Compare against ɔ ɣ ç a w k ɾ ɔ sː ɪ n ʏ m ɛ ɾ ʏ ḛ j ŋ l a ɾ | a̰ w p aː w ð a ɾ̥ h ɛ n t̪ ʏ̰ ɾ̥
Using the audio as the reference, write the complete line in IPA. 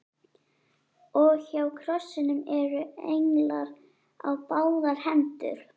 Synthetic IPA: ɔ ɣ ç a w kʰ ɾ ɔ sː ɪ n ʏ m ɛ ɾ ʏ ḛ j ŋ l a ɾ | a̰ w p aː w ð a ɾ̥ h ɛ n t̪ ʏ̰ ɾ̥